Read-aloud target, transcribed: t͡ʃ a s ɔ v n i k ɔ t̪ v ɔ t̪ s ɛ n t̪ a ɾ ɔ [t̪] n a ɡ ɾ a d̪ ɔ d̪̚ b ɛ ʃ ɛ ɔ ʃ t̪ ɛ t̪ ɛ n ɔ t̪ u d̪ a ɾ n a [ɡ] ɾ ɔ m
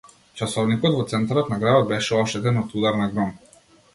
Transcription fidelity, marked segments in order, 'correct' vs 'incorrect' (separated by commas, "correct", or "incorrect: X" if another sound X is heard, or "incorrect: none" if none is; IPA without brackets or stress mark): correct, correct